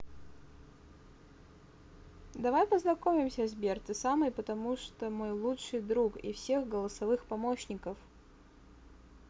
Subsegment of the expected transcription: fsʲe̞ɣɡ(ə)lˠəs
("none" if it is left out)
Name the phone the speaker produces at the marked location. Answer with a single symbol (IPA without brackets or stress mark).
ə